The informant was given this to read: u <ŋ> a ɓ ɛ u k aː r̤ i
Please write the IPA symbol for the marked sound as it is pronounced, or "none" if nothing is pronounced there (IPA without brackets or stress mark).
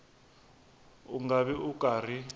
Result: ŋ